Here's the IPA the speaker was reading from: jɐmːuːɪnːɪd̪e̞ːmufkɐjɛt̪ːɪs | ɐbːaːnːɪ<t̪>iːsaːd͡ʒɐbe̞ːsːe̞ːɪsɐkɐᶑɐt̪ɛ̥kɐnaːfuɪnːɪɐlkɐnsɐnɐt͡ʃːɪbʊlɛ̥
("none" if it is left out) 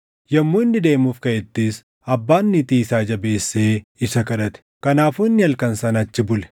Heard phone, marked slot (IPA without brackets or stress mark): t̪